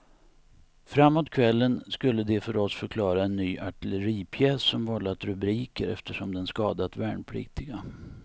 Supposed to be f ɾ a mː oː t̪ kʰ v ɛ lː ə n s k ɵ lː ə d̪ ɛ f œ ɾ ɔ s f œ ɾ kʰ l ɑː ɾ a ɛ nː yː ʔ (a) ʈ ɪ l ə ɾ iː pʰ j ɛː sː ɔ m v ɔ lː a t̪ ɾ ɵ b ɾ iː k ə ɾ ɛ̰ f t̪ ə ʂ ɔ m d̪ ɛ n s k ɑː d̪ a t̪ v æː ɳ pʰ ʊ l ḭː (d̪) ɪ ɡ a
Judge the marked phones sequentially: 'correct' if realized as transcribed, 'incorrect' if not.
correct, incorrect

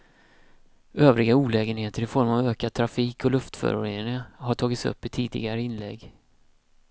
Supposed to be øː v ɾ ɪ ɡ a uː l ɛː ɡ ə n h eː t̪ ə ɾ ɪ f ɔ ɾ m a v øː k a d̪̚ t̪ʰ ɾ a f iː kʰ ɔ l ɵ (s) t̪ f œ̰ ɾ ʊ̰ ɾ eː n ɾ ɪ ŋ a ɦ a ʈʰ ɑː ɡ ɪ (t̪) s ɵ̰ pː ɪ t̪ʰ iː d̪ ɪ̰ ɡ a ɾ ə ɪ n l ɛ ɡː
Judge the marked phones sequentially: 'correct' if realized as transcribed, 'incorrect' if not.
incorrect, correct

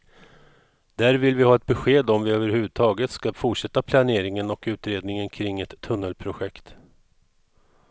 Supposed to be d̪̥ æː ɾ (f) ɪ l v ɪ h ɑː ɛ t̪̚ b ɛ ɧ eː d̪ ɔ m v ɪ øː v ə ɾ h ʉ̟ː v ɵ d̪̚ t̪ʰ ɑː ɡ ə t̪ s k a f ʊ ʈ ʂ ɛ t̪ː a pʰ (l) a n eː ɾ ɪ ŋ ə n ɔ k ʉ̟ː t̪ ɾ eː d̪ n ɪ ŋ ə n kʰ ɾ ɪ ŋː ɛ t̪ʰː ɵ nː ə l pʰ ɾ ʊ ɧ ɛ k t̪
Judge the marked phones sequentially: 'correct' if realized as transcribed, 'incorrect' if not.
incorrect, correct

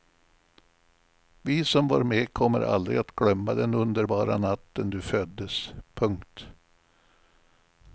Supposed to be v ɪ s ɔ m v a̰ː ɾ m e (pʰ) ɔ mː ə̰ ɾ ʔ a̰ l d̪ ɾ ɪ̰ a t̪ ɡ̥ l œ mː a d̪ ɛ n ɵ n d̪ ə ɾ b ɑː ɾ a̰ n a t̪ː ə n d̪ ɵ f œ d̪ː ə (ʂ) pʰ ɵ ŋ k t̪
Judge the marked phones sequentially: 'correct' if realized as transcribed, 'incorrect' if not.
incorrect, incorrect

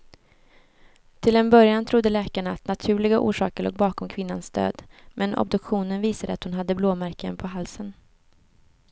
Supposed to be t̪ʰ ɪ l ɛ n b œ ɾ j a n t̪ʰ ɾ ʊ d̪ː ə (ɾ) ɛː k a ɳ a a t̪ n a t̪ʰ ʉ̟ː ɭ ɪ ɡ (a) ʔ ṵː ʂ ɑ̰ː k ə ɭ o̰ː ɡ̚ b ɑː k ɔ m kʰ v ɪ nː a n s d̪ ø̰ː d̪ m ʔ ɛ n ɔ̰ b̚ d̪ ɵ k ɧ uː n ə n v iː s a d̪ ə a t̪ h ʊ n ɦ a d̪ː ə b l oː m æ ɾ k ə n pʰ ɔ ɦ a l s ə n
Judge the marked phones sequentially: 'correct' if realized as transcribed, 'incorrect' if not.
incorrect, correct

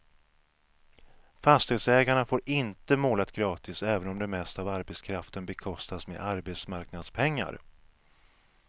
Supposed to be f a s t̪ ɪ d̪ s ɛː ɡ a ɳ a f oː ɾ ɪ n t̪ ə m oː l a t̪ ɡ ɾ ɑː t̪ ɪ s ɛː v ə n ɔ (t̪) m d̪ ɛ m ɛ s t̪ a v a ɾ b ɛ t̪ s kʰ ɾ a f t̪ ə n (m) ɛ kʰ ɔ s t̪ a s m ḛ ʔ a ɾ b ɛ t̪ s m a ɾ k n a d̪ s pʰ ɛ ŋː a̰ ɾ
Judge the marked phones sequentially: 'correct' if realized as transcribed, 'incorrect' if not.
incorrect, incorrect

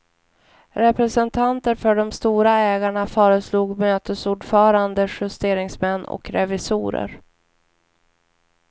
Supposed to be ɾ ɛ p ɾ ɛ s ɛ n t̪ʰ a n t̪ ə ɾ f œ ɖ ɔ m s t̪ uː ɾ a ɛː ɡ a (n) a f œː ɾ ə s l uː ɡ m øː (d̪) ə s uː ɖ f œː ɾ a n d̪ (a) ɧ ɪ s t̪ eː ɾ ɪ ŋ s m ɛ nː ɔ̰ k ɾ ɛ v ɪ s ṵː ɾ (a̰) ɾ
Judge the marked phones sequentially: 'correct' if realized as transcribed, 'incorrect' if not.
incorrect, incorrect, incorrect, incorrect

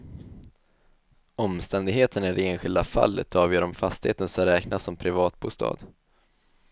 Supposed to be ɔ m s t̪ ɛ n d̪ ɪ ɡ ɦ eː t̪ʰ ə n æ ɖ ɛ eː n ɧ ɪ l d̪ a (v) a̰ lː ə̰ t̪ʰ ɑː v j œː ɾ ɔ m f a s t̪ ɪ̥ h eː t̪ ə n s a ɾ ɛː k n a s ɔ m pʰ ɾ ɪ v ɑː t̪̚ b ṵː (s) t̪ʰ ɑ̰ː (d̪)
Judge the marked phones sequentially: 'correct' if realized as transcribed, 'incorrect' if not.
incorrect, correct, correct

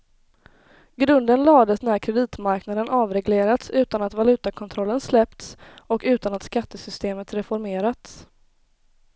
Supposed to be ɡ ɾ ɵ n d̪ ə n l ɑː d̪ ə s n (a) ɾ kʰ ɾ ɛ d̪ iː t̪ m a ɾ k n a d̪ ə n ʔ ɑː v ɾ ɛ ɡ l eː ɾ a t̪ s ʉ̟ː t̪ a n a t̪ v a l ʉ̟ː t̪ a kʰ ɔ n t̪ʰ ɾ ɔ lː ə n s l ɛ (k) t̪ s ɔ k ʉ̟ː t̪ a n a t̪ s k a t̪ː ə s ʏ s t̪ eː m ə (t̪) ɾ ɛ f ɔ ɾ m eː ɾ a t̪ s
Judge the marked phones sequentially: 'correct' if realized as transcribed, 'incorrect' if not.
incorrect, incorrect, correct

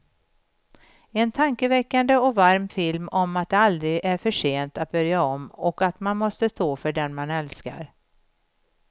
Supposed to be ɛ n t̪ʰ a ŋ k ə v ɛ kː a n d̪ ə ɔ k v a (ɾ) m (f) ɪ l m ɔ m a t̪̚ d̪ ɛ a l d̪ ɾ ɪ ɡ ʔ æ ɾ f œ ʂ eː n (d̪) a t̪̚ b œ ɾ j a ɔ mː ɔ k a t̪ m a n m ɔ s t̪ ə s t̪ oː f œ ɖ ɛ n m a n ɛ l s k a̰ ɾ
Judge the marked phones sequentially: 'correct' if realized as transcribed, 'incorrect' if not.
correct, correct, incorrect

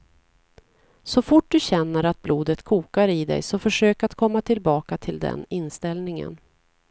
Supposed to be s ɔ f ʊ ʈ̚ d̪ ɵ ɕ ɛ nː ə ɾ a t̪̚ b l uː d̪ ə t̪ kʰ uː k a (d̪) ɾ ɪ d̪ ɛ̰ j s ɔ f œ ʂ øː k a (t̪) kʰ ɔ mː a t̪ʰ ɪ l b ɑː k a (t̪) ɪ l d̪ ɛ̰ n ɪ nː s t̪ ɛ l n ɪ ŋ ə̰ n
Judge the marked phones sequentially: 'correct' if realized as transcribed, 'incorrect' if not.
incorrect, correct, incorrect

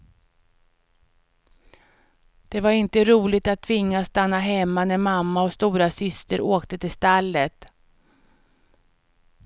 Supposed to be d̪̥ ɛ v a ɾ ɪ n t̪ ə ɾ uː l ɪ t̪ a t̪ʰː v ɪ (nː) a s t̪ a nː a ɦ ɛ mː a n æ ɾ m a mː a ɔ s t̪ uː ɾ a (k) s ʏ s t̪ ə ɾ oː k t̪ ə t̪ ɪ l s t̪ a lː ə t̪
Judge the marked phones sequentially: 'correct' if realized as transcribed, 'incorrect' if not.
incorrect, incorrect

